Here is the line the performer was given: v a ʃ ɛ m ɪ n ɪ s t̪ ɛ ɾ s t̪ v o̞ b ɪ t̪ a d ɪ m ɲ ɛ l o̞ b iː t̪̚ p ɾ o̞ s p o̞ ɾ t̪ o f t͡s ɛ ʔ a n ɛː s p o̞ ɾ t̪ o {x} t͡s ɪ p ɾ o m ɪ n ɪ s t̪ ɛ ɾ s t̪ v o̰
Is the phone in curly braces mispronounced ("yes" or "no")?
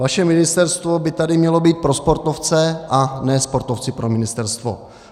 yes